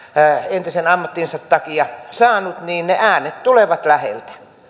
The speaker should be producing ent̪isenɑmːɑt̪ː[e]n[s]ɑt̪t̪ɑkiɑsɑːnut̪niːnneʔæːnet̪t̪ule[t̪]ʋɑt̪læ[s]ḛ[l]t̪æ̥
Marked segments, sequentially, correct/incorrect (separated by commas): incorrect, correct, incorrect, incorrect, correct